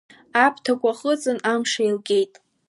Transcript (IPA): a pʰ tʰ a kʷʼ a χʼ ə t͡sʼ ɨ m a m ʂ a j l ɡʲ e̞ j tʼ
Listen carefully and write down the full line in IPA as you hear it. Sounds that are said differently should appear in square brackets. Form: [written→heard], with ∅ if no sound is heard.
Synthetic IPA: a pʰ tʰ a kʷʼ a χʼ ə t͡sʼ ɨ [m→n] a m ʂ a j l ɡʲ e̞ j tʼ